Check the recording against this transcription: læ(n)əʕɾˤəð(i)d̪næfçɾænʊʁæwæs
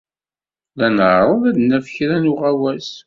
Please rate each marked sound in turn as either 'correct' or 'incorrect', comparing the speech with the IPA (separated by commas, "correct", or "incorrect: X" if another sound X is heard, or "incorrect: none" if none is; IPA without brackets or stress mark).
correct, incorrect: æ